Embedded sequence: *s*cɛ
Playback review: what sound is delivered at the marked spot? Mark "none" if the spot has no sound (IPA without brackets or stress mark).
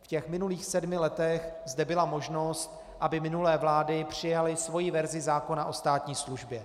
f